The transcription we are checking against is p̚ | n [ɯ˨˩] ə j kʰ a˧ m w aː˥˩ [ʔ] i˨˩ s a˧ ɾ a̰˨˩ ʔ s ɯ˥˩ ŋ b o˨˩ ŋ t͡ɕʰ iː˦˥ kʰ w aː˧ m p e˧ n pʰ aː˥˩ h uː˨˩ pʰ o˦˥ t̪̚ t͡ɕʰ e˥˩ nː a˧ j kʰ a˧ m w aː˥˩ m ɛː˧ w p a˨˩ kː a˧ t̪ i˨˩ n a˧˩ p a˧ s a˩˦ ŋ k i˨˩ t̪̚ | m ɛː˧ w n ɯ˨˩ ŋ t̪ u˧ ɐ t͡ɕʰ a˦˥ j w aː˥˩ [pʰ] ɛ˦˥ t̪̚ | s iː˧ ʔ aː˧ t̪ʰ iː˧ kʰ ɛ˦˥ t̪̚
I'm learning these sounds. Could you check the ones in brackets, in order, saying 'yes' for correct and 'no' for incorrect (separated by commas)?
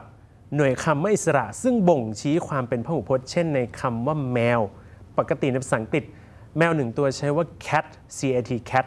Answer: no, yes, no